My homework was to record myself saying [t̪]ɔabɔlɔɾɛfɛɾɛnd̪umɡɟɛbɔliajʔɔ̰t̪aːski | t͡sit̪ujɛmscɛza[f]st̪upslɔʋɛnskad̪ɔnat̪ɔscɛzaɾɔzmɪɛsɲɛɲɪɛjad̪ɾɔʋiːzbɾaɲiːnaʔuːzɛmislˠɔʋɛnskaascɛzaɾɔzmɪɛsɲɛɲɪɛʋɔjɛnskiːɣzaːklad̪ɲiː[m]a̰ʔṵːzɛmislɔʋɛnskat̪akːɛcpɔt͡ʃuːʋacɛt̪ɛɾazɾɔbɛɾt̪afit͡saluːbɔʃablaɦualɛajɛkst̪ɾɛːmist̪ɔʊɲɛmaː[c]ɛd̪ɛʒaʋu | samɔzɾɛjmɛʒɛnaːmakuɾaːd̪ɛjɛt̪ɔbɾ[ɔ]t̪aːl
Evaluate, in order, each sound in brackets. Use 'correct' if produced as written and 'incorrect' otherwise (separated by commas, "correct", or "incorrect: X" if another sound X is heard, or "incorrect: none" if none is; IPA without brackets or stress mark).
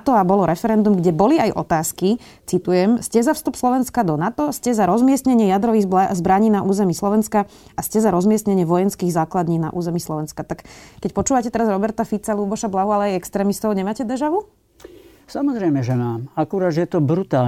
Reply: correct, correct, incorrect: n, correct, incorrect: u